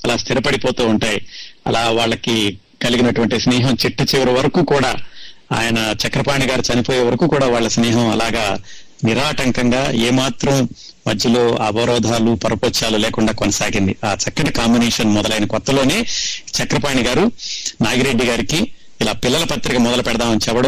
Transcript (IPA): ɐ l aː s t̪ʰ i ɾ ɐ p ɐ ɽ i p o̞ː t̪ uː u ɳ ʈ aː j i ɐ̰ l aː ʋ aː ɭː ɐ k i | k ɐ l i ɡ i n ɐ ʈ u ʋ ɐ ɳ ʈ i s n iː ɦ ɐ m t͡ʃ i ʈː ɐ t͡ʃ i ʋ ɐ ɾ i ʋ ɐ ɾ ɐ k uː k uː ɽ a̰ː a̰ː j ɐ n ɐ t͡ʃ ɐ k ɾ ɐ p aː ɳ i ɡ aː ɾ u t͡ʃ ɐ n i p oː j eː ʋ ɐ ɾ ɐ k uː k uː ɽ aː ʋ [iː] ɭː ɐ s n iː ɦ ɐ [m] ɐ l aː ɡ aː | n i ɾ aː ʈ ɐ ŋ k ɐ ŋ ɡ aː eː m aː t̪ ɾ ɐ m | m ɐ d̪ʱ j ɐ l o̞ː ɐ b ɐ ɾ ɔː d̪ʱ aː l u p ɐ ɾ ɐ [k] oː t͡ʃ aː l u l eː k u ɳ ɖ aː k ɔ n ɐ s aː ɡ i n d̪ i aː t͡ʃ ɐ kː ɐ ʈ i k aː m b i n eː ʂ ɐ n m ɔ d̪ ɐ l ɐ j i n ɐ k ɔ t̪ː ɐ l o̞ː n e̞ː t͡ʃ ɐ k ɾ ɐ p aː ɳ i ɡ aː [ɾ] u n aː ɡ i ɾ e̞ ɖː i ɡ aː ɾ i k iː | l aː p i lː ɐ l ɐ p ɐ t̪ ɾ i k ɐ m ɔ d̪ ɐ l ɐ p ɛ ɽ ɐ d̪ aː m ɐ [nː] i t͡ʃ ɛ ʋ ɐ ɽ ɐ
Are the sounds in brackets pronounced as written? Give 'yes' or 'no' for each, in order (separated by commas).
no, yes, no, yes, no